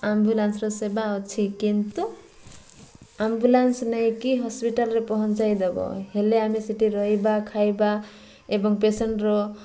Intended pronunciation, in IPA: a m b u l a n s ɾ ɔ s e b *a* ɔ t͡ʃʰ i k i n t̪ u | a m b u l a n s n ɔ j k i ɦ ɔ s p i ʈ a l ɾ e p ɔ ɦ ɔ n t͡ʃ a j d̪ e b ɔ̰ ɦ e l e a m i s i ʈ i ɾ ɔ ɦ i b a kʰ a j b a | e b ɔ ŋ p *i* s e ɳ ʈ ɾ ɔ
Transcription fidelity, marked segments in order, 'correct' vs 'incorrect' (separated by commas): correct, incorrect